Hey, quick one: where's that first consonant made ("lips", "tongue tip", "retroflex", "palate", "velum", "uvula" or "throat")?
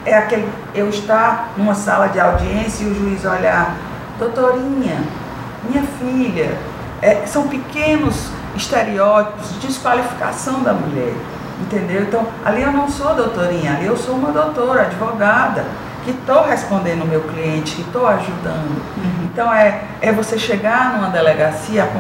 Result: velum